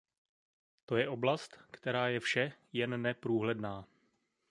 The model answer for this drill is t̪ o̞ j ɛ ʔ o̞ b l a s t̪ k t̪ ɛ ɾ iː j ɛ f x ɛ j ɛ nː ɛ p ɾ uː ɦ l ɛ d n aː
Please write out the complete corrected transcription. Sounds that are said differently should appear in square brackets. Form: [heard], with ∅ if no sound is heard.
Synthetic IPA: t̪ o̞ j ɛ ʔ o̞ b l a s t̪ k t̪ ɛ ɾ [aː] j ɛ f [ʃ] ɛ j ɛ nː ɛ p ɾ uː ɦ l ɛ d n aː